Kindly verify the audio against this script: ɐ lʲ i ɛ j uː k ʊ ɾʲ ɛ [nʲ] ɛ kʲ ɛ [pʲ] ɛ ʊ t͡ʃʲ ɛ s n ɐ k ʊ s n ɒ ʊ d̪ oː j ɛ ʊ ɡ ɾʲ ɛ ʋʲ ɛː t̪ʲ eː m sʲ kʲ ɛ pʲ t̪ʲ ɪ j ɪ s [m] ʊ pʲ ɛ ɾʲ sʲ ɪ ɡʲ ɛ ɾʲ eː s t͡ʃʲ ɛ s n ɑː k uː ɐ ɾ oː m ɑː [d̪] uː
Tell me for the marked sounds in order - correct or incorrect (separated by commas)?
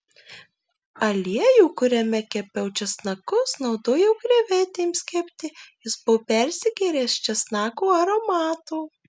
incorrect, correct, incorrect, incorrect